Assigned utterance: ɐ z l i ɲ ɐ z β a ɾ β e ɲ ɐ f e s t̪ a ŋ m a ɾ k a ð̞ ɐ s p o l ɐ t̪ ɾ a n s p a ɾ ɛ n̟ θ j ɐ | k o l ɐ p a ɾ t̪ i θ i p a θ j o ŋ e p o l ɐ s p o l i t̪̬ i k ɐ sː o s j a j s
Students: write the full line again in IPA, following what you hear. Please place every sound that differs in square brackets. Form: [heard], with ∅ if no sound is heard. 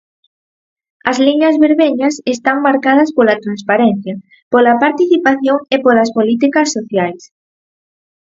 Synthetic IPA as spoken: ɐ z l i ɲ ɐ z β [e] ɾ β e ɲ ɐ [s] e s t̪ a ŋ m a ɾ k a ð̞ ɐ s p o l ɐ t̪ ɾ a n s p a ɾ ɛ n̟ θ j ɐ | [p] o l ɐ p a ɾ t̪ i θ i p a θ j o ŋ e p o l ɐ s p o l i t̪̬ i k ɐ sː o [θ] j a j s